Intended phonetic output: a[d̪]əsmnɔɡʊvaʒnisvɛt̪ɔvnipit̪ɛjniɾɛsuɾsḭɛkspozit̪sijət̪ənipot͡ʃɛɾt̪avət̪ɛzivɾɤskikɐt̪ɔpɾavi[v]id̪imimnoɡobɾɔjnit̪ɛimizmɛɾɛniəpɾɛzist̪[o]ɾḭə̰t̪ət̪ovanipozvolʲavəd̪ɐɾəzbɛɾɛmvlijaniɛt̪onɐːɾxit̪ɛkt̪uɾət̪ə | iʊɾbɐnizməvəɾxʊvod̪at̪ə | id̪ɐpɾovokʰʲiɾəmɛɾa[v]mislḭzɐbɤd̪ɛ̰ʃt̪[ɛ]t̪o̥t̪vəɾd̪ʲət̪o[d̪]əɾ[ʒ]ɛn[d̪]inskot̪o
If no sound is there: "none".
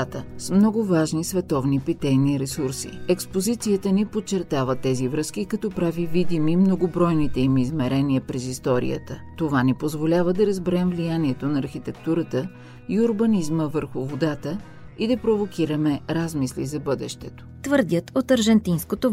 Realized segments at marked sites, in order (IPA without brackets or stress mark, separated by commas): t̪, v, ɔ, z, ɛ, t̪, ʒ, t̪